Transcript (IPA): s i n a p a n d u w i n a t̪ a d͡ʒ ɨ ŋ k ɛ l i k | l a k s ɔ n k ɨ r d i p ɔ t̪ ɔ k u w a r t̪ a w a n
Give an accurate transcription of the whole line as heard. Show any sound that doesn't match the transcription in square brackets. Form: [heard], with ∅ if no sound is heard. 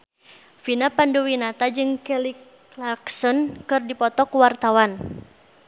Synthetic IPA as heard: [f] i n a p a n d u w i n a t̪ a d͡ʒ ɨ ŋ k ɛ l i k | l a k s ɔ n k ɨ r d i p ɔ t̪ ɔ k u w a r t̪ a w a n